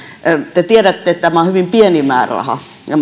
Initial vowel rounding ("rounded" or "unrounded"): unrounded